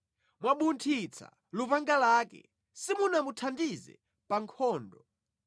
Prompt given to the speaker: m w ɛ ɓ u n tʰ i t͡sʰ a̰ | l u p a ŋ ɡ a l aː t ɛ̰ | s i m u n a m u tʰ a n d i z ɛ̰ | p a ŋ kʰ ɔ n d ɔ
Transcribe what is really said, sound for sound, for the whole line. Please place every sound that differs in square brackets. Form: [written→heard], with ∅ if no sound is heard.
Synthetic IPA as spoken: m w [ɛ→a] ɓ u n tʰ i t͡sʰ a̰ | l u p a ŋ ɡ a l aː [t→k] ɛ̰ | s i m u n a m u tʰ a n d i z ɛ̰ | p a ŋ kʰ [ɔ→ɔː] n d ɔ